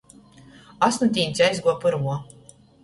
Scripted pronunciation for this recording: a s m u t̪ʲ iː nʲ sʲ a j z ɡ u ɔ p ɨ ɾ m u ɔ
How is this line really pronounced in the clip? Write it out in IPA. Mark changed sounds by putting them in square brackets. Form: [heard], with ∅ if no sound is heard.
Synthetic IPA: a s [n] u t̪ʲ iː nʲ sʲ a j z ɡ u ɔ p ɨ ɾ m u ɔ